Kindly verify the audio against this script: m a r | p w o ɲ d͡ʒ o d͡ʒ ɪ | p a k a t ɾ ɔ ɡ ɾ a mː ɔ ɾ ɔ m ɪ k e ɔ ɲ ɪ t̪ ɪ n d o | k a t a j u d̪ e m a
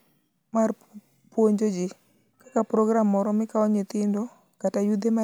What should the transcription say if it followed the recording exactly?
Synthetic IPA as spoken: m a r | p w o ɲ d͡ʒ o d͡ʒ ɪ | k a k a p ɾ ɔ ɡ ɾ a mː ɔ ɾ ɔ m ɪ k a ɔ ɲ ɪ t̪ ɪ n d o | k a t a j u d̪ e m a